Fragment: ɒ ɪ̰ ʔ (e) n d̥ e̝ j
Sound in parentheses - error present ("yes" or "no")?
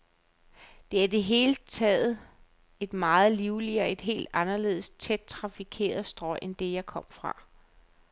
no